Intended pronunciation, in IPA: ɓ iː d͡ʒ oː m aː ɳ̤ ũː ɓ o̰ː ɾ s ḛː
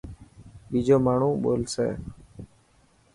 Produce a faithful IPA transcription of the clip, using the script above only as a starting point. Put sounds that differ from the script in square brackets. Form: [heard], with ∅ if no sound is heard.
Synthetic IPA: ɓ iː d͡ʒ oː m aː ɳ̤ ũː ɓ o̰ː [l] s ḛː